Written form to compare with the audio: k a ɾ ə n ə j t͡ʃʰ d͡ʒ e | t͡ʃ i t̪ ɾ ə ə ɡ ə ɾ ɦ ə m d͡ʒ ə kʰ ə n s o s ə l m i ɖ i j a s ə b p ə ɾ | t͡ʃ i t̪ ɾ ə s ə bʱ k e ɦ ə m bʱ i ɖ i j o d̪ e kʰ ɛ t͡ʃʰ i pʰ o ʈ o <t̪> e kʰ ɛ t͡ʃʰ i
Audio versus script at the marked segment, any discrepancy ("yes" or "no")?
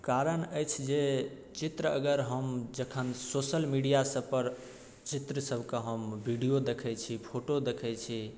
yes